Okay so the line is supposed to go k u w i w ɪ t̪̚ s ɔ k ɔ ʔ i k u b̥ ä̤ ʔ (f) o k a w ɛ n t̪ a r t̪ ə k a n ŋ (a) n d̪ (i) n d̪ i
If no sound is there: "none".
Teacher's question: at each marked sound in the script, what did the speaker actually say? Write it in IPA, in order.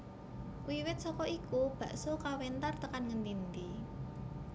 s, ə, i

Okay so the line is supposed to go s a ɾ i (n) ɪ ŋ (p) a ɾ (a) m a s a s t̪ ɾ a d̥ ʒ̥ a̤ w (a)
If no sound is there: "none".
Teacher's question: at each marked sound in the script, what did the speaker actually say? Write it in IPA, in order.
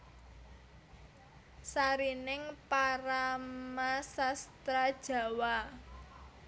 n, p, a, a

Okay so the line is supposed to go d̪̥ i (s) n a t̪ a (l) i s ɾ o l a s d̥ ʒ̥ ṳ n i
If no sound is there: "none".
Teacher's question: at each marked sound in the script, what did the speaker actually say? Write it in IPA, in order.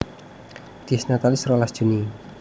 s, l

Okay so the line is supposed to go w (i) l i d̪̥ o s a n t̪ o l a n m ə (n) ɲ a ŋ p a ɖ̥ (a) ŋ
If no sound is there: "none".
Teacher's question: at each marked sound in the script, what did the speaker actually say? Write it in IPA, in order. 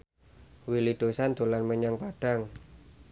i, none, a

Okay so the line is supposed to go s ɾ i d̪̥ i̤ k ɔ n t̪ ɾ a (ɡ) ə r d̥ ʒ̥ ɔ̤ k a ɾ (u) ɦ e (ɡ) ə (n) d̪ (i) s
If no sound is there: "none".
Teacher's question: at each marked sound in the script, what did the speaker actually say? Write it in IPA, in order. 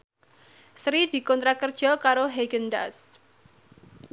k, o, ɡ, n, a

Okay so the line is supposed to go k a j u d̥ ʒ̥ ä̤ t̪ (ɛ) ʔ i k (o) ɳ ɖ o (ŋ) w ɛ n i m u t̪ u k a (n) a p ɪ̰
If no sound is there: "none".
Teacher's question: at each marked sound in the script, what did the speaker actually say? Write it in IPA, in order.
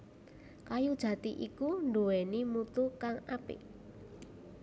i, u, none, ŋ

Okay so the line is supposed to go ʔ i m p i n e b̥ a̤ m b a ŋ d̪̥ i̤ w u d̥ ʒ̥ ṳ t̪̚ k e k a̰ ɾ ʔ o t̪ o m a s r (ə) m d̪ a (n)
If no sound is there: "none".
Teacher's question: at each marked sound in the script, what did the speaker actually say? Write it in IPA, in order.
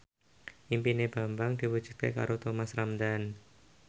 a, n

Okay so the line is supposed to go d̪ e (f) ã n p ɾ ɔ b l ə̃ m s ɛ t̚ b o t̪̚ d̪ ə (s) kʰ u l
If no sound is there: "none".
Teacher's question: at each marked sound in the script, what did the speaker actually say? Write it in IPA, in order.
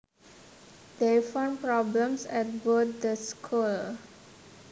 f, s

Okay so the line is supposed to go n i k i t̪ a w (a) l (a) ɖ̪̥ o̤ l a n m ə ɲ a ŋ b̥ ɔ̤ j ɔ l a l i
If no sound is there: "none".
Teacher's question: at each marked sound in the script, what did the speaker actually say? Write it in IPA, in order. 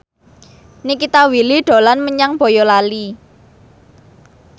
i, i

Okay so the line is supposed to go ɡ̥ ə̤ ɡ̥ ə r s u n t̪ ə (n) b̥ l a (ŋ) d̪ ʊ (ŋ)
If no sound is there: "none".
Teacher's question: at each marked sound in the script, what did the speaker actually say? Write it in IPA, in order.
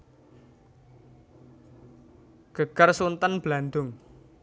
n, n, ŋ

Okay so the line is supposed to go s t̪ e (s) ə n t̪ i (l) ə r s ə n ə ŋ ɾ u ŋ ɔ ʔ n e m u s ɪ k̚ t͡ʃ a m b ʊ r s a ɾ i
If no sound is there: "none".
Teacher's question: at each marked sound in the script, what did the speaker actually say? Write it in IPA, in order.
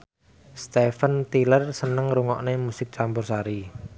f, l

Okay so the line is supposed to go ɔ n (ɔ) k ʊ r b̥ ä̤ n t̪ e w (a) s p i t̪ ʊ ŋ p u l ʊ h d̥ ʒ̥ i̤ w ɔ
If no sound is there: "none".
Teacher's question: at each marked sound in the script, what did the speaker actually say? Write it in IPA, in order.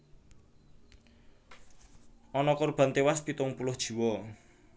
ɔ, a

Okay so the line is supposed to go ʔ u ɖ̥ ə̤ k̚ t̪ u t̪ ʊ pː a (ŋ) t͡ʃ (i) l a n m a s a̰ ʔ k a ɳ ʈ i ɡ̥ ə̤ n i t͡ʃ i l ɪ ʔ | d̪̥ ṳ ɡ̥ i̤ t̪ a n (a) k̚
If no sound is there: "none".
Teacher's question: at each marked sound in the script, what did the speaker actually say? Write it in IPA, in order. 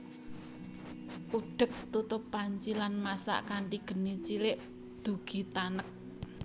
ɲ, i, ə

